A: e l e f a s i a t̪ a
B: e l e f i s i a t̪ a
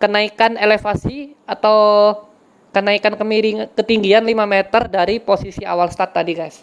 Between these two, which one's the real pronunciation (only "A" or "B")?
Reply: A